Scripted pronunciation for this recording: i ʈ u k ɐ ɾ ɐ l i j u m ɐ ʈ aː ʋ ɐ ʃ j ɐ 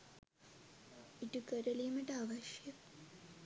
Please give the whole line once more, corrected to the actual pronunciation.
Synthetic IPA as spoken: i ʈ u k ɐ ɾ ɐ l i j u m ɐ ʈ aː ʋ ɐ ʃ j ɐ